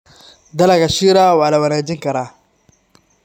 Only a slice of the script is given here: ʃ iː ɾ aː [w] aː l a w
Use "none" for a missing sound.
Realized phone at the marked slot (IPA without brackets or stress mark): w